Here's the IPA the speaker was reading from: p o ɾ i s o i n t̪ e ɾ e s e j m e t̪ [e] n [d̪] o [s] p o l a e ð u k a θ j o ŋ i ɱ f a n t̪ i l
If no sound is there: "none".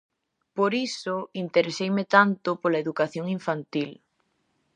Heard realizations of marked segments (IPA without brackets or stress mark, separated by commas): a, t̪, none